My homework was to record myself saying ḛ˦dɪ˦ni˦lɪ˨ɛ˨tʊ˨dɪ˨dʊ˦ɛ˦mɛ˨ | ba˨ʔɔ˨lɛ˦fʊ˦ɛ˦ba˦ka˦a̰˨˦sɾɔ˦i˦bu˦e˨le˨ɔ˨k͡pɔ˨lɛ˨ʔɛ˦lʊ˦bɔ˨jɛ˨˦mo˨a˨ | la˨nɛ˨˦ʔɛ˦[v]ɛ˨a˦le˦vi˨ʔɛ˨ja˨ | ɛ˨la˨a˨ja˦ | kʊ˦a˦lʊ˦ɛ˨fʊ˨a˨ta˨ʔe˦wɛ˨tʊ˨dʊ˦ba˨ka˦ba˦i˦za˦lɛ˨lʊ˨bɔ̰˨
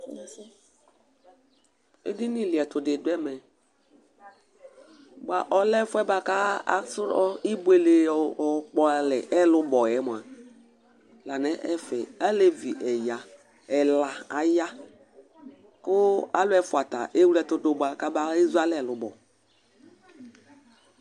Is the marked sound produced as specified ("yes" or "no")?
no